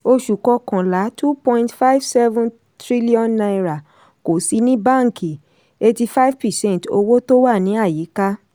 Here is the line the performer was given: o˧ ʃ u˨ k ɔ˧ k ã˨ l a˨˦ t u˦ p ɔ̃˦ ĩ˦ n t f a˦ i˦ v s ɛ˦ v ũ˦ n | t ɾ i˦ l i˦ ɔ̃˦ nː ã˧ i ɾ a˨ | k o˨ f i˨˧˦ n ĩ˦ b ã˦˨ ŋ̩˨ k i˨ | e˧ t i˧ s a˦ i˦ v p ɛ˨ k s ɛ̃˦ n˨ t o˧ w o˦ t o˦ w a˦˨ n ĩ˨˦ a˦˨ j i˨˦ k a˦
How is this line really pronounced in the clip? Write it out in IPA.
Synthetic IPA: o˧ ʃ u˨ k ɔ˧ k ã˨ l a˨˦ t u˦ p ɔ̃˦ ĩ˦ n t f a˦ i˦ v s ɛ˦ v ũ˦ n | t ɾ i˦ l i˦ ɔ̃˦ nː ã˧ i ɾ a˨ | k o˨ s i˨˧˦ n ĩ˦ b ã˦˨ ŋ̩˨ k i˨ | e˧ t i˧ f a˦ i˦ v p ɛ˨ s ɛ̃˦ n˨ t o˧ w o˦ t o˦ w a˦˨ n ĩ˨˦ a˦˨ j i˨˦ k a˦